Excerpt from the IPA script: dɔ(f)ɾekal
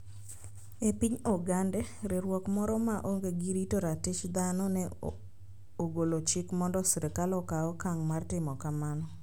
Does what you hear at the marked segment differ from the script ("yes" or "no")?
yes